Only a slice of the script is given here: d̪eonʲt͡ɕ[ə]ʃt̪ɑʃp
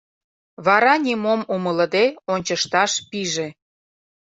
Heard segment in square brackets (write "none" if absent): ə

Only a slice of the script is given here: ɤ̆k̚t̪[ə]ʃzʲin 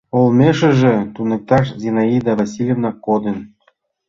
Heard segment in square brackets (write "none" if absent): ɑ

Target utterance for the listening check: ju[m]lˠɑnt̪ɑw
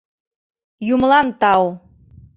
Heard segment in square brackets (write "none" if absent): m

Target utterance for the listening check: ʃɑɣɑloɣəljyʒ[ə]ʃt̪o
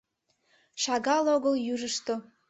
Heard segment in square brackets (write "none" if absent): ə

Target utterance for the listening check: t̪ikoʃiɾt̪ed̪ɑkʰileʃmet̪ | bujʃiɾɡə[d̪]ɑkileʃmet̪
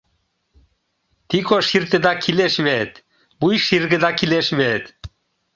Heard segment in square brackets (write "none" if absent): d̪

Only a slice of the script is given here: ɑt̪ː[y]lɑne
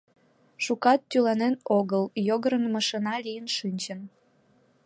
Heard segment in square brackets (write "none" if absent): y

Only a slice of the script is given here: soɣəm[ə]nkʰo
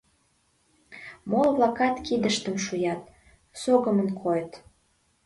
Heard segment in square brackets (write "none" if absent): ə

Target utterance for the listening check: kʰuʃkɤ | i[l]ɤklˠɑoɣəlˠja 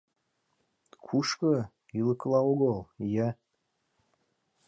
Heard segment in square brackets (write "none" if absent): l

